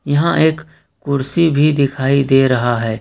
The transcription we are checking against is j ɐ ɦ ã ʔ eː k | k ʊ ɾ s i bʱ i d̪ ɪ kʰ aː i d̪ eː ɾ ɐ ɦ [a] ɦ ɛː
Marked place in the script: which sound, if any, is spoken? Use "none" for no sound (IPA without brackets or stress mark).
a